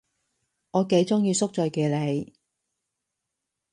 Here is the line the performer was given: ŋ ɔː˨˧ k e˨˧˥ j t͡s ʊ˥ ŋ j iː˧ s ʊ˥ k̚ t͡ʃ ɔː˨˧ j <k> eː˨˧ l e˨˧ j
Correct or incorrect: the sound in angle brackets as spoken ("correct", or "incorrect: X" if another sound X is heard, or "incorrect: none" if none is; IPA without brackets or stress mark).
correct